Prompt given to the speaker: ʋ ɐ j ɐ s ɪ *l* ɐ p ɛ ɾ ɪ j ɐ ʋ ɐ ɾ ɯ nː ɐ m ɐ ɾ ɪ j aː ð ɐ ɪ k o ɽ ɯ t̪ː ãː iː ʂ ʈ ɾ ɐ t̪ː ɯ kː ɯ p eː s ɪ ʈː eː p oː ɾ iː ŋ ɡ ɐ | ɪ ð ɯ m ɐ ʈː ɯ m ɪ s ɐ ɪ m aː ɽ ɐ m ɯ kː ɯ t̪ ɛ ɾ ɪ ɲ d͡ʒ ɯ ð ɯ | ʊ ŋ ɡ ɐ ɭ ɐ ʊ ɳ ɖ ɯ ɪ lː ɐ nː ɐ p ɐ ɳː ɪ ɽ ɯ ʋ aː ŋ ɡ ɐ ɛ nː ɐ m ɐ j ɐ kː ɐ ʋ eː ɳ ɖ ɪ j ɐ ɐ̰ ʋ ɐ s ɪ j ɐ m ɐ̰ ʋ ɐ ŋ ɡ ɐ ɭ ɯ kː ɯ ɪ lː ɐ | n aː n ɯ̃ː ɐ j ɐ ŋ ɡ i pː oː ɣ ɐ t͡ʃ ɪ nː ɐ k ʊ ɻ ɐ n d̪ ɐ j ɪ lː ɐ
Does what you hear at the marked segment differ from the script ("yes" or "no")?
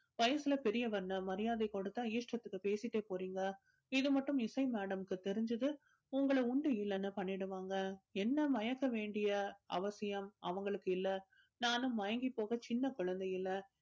no